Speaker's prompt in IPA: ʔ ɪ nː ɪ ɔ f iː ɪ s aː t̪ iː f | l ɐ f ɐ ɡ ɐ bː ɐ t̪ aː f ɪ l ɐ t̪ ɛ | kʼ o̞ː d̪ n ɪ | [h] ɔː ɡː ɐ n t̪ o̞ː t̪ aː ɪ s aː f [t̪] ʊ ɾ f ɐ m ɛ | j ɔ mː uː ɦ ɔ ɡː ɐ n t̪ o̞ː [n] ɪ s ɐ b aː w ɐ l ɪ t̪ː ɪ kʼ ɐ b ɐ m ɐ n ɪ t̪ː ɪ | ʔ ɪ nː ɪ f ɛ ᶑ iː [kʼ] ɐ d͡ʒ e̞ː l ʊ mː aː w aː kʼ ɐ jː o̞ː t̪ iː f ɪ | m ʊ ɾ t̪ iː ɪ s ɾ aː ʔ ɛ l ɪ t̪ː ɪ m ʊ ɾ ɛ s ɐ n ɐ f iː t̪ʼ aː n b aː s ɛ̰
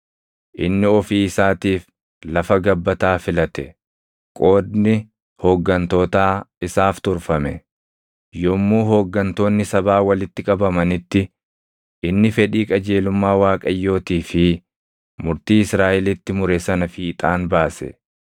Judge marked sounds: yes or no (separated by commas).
yes, yes, no, yes